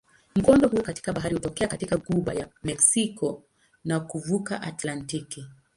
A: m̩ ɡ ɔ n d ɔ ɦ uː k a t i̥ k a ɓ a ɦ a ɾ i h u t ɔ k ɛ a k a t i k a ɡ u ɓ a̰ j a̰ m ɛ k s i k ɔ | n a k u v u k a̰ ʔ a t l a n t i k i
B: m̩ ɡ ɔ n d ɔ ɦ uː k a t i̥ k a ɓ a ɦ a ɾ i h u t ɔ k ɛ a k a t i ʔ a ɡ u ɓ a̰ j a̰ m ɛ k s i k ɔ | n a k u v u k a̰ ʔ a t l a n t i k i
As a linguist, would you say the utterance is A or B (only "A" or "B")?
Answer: A